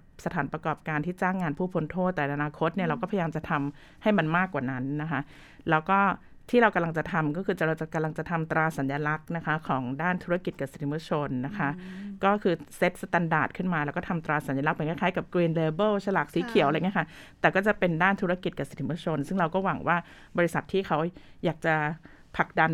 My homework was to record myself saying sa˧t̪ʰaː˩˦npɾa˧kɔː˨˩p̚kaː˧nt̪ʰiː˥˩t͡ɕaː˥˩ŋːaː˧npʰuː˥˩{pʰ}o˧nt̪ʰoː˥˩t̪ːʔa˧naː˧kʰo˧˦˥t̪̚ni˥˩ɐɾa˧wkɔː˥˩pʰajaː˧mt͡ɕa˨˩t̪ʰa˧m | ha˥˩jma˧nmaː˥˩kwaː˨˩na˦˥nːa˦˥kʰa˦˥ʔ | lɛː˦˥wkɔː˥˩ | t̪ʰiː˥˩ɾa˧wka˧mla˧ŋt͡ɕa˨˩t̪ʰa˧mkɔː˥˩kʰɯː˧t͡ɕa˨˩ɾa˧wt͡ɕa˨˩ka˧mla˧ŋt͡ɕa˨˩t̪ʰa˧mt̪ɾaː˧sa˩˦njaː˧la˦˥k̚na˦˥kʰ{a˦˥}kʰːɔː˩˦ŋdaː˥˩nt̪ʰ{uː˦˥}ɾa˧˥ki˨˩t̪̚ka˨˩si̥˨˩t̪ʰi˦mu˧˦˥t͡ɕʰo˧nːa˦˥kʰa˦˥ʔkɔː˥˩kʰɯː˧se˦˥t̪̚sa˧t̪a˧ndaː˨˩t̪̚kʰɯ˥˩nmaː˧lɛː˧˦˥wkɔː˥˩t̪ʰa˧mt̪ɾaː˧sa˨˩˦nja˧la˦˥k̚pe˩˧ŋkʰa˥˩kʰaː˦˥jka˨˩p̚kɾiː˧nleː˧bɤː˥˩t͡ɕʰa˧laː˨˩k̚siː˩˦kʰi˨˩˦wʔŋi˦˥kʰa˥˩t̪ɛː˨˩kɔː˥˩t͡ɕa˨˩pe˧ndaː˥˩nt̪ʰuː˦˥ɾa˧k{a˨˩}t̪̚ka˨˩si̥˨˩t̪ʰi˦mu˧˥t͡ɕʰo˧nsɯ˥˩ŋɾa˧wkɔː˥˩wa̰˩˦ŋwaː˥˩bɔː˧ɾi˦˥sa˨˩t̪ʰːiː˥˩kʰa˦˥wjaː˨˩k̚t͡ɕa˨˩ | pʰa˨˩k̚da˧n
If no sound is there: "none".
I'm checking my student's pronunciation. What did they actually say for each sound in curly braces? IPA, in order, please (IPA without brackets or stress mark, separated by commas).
pʰ, a˦˥, u˦˥, i˨˩